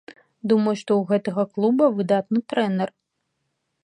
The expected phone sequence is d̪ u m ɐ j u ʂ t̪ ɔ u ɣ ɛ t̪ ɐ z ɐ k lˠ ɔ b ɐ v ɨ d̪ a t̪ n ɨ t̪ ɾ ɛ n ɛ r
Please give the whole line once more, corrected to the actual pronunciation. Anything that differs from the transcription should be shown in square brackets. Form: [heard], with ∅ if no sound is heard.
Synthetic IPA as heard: d̪ u m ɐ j u ʂ t̪ ɔ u ɣ ɛ t̪ ɐ [ɣ] ɐ k lˠ [u] b ɐ v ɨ d̪ a t̪ n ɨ t̪ ɾ ɛ n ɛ r